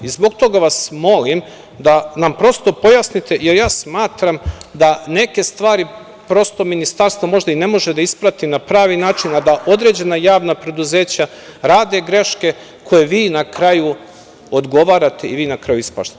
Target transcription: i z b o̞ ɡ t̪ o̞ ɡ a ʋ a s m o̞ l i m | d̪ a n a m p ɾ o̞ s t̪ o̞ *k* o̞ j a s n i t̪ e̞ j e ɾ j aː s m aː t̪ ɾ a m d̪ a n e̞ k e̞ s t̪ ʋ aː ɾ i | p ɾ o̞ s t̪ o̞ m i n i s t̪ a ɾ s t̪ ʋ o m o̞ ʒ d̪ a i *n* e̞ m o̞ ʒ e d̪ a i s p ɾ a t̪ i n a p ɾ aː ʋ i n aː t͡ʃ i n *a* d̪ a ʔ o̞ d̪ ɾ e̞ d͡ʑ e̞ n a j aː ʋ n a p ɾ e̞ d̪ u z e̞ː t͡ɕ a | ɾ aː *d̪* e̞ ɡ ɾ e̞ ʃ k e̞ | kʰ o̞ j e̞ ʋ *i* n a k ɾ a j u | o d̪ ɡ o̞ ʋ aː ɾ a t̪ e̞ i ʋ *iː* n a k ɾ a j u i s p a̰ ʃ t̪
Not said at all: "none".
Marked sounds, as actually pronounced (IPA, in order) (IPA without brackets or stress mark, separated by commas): p, n, a, d̪, iː, iː